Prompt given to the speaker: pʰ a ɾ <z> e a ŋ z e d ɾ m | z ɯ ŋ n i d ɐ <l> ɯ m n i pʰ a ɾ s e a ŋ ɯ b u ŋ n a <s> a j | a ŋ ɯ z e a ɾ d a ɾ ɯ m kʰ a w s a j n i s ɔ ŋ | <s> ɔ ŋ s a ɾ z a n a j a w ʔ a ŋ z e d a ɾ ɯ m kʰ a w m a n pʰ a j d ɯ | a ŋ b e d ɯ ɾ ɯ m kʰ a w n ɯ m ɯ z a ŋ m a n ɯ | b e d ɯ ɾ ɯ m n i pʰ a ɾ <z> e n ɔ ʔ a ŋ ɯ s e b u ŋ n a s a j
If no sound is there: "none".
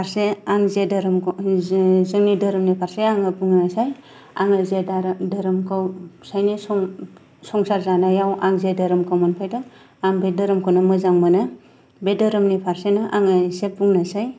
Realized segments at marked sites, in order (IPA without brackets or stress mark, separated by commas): s, ɾ, s, s, s